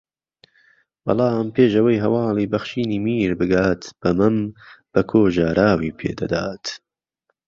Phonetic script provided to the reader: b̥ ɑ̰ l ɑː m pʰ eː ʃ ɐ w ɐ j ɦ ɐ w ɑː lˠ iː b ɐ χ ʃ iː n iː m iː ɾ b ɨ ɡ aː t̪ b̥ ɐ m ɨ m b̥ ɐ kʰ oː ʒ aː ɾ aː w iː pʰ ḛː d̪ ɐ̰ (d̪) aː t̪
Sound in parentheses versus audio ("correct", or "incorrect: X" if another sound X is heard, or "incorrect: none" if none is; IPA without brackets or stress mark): correct